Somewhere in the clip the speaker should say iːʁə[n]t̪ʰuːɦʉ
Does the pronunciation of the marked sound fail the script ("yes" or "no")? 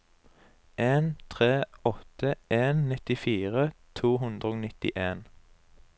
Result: yes